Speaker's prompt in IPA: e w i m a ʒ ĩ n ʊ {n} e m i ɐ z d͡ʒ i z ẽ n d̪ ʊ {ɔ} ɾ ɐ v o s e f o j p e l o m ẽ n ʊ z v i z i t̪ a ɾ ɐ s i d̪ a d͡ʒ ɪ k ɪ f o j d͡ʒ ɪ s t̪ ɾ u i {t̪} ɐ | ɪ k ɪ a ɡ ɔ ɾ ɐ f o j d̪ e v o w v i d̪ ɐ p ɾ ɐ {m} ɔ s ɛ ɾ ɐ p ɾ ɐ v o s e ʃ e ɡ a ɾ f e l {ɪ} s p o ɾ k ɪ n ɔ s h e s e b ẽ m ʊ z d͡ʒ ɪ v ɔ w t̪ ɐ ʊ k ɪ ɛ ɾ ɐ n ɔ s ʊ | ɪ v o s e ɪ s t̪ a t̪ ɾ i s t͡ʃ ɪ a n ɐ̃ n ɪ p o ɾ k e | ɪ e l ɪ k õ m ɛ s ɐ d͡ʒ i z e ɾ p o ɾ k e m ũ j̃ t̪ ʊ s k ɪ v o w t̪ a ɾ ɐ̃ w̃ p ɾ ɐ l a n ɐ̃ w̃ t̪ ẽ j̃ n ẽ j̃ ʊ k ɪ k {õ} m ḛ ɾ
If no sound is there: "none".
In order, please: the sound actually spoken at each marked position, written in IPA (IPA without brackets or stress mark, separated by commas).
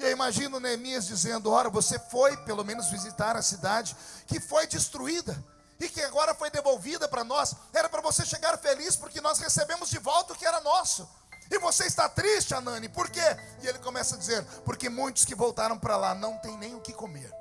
n, ɔ, d̪, n, i, o